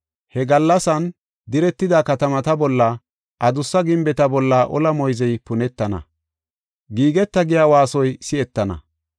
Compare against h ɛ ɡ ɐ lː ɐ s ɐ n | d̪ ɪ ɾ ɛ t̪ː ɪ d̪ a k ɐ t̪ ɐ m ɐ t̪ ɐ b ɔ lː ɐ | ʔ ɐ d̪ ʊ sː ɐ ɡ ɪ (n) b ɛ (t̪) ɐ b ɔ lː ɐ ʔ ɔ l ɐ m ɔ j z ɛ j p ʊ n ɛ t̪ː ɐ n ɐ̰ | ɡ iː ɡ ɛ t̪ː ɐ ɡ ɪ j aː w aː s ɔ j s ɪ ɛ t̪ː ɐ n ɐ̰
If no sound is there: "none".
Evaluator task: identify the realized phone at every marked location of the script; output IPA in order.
m, t̪

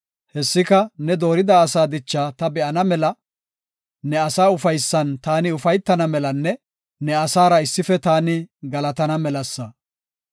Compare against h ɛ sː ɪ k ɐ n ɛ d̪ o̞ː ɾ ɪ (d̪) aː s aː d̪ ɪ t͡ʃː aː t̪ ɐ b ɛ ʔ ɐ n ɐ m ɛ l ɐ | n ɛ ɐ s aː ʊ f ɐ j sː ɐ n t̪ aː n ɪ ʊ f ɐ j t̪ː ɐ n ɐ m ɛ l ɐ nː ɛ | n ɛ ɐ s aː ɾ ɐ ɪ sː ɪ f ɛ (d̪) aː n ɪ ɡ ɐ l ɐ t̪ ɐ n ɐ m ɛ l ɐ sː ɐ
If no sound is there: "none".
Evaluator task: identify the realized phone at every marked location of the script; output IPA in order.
d̪, t̪

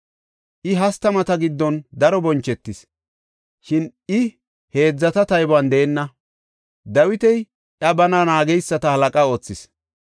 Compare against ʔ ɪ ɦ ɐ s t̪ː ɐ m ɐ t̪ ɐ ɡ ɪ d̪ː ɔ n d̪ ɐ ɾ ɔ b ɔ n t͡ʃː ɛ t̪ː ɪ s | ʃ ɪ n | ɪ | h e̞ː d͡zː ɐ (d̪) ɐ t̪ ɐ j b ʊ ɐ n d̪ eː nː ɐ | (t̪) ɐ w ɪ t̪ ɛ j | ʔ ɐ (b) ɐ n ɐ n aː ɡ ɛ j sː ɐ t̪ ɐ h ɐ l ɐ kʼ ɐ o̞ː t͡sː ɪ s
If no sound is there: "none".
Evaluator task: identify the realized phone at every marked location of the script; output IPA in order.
t̪, d̪, b

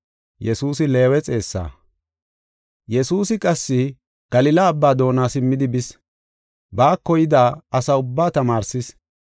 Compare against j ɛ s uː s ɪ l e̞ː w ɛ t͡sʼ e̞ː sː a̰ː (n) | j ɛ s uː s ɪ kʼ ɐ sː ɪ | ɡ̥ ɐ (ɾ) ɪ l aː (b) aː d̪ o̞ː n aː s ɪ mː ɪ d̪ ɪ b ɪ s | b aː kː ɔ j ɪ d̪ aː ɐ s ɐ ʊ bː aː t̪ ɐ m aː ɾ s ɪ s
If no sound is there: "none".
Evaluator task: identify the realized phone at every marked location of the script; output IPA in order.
none, l, bː

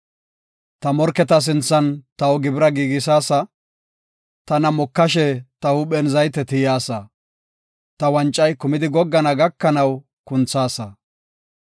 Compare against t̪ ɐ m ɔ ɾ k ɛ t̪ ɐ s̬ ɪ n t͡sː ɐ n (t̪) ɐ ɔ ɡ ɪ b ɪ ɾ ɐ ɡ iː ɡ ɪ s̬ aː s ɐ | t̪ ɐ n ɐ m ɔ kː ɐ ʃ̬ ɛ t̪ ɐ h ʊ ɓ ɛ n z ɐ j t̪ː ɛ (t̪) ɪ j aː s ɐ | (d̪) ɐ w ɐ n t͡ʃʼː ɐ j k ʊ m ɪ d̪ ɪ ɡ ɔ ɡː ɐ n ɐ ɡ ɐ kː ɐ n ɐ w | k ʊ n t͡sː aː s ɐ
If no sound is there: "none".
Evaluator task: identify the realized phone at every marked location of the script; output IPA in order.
t̪, t̪, t̪

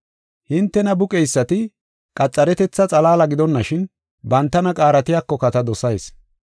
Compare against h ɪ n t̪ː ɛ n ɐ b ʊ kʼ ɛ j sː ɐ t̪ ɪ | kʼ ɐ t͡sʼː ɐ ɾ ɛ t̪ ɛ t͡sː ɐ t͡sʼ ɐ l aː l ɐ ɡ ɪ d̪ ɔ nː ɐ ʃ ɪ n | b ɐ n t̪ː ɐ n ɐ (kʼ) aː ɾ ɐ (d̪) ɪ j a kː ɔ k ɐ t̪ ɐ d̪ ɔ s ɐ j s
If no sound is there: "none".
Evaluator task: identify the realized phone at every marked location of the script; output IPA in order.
kʼ, t̪

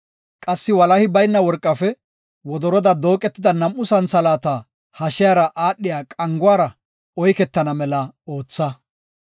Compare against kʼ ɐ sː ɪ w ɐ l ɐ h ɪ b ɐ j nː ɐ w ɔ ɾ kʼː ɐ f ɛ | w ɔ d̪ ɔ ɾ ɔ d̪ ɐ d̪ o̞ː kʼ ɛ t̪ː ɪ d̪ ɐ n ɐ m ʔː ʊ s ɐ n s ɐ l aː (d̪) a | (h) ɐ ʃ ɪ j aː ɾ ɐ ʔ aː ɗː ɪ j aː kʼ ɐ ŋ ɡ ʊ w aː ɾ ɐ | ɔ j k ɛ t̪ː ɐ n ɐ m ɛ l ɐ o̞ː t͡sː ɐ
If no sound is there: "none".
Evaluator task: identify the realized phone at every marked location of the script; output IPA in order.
t̪, h

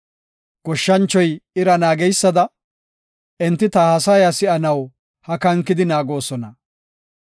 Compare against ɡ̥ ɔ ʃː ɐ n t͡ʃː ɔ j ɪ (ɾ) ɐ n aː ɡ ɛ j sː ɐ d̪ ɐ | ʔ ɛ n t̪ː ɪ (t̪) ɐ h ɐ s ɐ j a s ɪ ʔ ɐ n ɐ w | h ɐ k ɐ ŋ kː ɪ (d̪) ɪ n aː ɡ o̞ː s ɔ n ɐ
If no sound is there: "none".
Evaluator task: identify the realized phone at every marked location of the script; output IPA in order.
ɾ, t̪, d̪

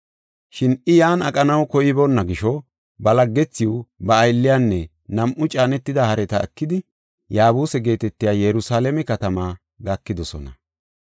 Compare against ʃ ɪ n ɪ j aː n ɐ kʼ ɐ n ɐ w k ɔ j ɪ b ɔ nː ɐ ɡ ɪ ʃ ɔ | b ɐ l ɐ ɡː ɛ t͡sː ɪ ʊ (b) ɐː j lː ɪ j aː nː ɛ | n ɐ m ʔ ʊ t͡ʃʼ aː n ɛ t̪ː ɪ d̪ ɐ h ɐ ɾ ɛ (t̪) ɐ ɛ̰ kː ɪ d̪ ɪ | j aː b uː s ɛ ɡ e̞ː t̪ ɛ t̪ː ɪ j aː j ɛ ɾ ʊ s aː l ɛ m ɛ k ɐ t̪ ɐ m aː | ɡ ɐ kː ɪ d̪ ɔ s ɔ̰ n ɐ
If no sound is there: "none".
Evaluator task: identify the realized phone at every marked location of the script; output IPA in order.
b, t̪

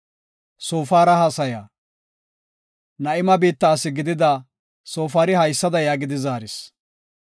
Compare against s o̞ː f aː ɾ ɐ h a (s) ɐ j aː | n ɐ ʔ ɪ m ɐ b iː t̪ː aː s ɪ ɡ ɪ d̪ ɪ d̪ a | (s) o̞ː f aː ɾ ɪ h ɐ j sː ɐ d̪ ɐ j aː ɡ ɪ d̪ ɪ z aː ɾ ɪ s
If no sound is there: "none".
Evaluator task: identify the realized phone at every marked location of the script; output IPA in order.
s, s

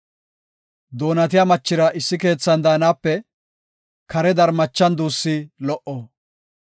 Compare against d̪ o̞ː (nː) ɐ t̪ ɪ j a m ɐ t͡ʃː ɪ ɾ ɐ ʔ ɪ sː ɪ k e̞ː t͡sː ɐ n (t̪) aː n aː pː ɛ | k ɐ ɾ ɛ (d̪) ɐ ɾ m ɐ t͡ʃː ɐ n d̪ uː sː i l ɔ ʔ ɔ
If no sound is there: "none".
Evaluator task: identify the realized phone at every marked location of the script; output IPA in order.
n, d̪, d̪

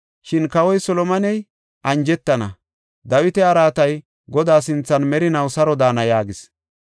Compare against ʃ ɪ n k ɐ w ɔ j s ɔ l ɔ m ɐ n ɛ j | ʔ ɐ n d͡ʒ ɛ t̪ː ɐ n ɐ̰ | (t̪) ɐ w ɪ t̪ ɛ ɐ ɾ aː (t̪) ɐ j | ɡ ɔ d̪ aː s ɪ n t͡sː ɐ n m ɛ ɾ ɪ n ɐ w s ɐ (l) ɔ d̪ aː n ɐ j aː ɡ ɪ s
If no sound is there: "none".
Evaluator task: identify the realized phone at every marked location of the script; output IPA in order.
d̪, t̪, ɾ

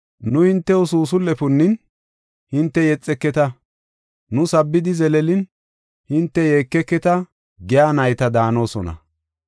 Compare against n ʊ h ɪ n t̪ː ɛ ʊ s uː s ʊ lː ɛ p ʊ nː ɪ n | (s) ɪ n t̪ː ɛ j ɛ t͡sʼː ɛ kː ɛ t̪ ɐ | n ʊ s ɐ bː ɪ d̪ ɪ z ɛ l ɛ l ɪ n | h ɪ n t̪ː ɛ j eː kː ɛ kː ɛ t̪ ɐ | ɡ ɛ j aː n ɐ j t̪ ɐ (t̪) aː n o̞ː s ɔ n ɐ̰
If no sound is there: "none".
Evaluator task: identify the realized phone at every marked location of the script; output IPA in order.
h, d̪

